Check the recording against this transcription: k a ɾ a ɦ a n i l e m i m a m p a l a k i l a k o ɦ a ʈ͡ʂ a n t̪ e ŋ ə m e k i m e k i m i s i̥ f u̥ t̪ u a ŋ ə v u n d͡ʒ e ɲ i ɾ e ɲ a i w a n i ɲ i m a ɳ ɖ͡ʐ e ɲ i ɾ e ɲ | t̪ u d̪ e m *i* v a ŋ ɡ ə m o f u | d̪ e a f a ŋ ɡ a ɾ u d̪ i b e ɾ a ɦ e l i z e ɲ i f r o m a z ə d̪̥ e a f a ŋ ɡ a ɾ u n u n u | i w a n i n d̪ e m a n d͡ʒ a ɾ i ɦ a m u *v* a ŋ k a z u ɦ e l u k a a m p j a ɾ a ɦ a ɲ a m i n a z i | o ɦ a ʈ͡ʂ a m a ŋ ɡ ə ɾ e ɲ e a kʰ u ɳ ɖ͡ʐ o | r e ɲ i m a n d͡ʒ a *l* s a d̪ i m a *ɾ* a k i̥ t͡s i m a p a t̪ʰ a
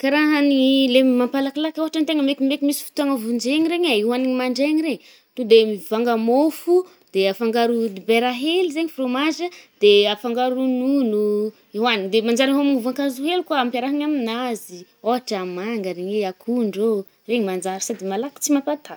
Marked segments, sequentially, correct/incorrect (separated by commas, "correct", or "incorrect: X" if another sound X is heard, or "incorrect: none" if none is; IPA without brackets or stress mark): correct, correct, incorrect: ɾ, incorrect: l